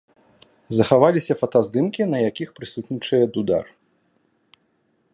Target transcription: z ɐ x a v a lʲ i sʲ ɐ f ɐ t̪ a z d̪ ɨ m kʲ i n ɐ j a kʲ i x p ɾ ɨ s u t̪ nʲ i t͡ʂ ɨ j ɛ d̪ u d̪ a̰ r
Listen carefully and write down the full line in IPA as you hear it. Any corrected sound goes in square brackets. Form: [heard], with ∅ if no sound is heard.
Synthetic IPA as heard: z ɐ x a v a lʲ i sʲ ɐ f ɐ t̪ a z d̪ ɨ m kʲ i n ɐ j a kʲ i x p ɾ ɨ s u t̪ nʲ i t͡ʂ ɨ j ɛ d̪ u d̪ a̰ r